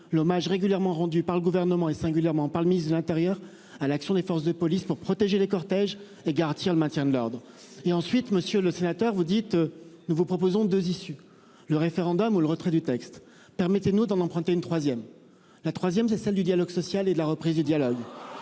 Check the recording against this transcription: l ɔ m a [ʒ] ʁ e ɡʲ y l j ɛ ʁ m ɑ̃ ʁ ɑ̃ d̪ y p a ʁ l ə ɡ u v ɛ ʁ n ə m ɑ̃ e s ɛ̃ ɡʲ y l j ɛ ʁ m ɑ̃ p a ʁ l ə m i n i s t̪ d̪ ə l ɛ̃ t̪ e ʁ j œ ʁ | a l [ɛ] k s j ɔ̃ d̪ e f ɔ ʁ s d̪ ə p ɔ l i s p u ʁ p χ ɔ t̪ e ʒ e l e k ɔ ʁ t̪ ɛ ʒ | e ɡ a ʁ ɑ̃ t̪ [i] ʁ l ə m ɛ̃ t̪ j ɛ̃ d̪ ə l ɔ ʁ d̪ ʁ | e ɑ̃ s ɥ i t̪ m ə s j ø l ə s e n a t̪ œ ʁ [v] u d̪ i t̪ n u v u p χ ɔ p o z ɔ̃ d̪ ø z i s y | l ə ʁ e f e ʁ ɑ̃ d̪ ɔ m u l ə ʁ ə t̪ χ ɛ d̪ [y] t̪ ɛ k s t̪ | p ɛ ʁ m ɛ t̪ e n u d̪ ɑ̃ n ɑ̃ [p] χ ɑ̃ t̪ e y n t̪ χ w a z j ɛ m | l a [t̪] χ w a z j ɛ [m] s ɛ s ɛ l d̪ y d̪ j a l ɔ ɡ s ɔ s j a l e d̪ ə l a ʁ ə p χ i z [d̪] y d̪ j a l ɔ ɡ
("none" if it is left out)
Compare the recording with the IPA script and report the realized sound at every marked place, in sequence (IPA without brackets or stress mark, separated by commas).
ʒ, a, i, v, y, p, t̪, m, d̪